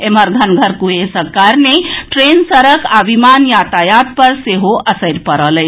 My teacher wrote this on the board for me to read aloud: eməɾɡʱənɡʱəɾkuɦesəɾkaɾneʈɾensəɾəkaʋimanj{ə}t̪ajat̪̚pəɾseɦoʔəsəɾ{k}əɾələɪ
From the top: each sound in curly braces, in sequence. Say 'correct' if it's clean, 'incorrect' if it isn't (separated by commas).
incorrect, incorrect